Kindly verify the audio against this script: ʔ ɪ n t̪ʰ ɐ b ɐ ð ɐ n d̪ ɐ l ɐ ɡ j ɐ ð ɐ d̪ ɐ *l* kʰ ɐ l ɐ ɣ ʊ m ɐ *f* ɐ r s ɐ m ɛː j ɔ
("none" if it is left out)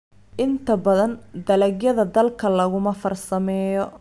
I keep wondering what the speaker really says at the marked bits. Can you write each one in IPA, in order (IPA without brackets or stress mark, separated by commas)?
l, f